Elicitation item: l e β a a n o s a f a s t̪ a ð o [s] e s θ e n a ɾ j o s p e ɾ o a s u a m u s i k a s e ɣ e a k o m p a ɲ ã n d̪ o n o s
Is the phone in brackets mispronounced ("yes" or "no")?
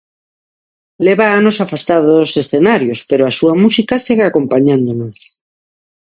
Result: no